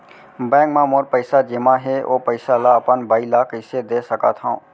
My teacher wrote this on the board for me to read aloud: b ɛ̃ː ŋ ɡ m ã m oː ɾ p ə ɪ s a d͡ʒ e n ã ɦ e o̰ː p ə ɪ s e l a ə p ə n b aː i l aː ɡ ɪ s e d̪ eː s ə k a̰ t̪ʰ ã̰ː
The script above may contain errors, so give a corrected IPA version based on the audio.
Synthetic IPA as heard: b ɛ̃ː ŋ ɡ m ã m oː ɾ p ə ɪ s a d͡ʒ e m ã ɦ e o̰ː p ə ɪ s a l a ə p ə n b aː i l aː k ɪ s e d̪ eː s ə k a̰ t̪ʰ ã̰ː